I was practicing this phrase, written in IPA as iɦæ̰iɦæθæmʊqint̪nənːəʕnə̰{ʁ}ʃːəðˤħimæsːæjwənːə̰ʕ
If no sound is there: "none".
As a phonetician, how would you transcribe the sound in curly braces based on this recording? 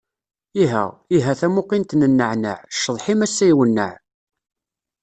ʕ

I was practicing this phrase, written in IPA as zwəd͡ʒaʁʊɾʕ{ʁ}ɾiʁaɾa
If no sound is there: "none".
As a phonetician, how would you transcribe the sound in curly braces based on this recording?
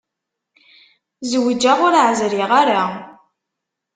z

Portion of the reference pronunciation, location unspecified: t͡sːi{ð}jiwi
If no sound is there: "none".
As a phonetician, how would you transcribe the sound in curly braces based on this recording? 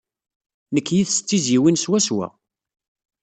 z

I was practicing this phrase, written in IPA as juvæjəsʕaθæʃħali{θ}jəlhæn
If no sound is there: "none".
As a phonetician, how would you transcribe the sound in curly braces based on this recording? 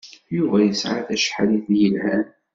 θ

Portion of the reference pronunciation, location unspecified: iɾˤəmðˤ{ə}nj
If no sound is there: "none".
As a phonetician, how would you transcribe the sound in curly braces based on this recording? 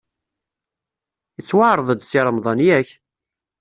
ɑ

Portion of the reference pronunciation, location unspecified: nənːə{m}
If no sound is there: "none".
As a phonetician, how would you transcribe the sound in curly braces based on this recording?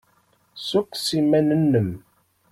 m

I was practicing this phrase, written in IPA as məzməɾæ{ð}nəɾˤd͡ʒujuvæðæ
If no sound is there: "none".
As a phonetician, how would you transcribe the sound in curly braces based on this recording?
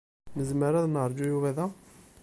ð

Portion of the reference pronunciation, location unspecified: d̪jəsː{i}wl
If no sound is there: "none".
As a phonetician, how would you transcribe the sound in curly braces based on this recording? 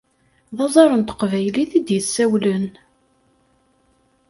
æ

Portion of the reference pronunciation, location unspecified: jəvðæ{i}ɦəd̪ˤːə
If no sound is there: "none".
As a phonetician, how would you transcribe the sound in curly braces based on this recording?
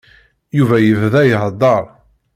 j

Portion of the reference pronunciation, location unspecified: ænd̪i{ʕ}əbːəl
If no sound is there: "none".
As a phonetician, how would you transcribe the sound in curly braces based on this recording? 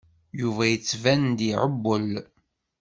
ʕ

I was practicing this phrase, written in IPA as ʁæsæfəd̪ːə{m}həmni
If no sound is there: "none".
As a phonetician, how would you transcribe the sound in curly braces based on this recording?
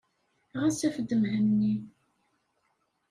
m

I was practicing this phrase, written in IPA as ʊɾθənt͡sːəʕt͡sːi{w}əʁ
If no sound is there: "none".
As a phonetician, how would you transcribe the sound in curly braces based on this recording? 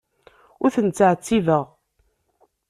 v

